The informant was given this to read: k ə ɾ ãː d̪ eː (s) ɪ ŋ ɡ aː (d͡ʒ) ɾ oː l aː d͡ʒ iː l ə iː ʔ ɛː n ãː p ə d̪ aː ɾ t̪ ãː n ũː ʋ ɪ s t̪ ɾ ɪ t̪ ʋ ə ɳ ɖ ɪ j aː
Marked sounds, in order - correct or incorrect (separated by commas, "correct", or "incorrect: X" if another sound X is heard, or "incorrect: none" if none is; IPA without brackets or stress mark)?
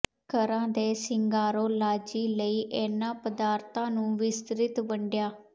correct, incorrect: none